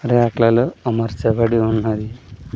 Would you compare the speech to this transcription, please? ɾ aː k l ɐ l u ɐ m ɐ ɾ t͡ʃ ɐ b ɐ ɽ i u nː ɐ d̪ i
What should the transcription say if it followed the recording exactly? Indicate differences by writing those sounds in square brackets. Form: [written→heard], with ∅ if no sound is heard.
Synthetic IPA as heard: ɾ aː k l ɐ l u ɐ m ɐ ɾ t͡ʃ ɐ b ɐ ɽ i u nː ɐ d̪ i